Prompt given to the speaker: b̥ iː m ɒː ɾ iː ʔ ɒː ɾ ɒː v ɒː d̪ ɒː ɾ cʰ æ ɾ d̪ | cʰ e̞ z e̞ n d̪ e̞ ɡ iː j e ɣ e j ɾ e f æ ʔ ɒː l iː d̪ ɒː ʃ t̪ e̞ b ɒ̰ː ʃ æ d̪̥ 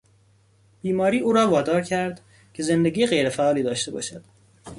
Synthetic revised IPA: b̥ iː m ɒː ɾ iː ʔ uː ɾ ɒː v ɒː d̪ ɒː ɾ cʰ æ ɾ d̪ | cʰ e̞ z e̞ n d̪ e̞ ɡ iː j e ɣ e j ɾ e f æ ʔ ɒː l iː d̪ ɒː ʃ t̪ e̞ b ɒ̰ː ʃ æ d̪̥